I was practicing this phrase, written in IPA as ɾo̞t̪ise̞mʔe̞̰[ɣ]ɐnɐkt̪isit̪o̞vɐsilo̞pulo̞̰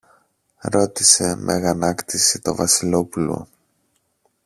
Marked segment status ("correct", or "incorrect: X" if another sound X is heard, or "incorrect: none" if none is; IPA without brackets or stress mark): correct